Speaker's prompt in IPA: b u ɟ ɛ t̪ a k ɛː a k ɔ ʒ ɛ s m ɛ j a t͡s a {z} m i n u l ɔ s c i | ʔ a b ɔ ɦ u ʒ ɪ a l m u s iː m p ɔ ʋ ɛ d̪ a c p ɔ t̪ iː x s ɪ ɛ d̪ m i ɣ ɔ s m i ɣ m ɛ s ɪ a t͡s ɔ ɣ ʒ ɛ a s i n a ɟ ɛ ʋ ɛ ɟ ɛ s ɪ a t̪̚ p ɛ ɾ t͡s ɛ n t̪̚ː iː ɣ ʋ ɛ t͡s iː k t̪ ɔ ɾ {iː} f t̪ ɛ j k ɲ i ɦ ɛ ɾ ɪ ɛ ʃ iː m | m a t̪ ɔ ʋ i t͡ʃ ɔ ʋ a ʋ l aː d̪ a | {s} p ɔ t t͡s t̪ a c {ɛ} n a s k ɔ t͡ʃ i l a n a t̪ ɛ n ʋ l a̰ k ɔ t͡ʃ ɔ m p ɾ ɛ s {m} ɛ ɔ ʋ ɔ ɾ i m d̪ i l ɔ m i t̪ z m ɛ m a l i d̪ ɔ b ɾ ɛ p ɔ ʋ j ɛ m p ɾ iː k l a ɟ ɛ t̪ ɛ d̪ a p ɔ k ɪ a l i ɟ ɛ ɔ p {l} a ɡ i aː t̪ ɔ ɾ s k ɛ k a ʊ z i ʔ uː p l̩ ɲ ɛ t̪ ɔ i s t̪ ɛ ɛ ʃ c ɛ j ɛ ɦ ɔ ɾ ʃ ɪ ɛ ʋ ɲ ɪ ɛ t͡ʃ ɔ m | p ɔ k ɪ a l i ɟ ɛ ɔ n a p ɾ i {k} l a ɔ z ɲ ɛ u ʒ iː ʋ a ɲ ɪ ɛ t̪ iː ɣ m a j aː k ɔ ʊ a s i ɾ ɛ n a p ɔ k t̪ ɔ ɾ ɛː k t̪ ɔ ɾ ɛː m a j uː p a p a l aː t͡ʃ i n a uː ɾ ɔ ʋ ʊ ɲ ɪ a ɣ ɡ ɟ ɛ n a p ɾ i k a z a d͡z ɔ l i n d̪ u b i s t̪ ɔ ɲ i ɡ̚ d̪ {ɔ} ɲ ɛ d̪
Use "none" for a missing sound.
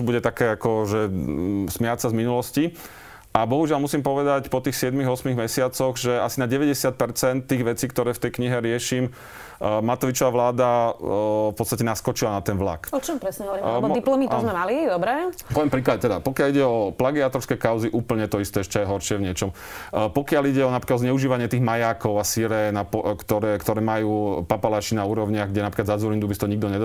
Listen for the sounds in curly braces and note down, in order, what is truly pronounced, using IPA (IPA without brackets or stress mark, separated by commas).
z, ɛː, f, ɛ, ɲ, l, k, ɔ